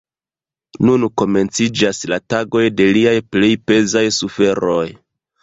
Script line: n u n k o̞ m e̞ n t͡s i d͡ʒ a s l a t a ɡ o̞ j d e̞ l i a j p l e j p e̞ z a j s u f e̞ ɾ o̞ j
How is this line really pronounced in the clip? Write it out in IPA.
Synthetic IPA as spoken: n u n k o̞ m e̞ n t͡s i d͡ʒ a s l a t a ɡ o̞ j d e̞ l i a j p l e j p e̞ z a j s u f e̞ ɾ o̞ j